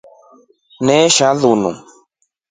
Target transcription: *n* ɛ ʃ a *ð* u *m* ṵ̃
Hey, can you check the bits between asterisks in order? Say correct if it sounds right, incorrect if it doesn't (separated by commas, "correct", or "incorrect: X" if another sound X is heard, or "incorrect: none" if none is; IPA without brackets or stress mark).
correct, correct, incorrect: n